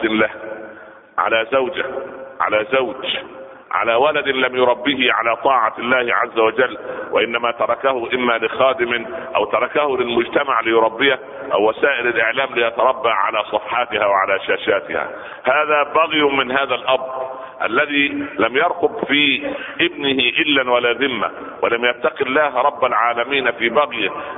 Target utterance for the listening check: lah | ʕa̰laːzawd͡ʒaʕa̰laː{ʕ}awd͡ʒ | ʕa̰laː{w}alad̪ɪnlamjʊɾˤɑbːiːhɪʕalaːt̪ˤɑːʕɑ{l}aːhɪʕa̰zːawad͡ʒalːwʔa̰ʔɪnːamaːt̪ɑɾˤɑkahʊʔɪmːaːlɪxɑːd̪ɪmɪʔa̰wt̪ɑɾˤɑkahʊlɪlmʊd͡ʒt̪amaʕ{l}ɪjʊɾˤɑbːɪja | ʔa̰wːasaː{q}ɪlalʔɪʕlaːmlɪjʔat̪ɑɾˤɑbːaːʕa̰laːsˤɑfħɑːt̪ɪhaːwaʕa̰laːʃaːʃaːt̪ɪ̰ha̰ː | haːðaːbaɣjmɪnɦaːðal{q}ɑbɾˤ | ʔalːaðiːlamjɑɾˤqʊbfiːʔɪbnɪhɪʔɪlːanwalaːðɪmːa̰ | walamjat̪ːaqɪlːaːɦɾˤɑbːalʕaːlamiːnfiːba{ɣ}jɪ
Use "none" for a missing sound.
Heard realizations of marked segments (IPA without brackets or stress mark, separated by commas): z, w, lː, l, ʔ, ʔ, ɣ